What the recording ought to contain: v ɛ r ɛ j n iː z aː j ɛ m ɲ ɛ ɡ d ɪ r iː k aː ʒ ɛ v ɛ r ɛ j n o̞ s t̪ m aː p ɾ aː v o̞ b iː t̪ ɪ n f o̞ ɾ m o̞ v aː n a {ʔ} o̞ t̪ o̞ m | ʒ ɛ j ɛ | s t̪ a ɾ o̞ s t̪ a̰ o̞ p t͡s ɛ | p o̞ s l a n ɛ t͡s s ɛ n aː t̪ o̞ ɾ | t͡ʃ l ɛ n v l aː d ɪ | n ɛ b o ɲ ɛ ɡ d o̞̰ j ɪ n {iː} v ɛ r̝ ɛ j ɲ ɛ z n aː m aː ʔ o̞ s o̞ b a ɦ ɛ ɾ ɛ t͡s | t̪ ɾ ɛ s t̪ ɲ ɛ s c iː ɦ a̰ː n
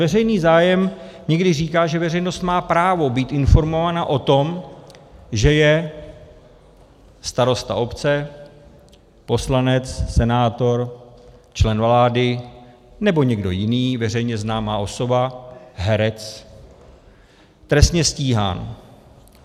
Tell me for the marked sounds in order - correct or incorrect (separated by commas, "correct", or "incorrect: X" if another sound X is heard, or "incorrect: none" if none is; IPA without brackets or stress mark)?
correct, correct